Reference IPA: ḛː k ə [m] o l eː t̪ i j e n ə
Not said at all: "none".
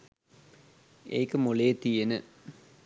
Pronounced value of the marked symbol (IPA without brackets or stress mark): m